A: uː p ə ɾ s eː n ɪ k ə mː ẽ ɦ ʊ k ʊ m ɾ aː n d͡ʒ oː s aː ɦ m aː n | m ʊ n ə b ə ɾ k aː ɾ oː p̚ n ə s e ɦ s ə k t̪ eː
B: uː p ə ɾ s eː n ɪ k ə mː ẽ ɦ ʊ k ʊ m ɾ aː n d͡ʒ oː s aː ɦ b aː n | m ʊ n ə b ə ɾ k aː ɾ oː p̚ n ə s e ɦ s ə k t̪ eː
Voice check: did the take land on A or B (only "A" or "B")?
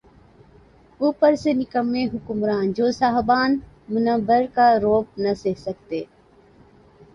B